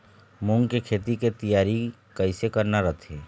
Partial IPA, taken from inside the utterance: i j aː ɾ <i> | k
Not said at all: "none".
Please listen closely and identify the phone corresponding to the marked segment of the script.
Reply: i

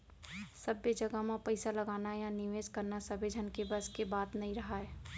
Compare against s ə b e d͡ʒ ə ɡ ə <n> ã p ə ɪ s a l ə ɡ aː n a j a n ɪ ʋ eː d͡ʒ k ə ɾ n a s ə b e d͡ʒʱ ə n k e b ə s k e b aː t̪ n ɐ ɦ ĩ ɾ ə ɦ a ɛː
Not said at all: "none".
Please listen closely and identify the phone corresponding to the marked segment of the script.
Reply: m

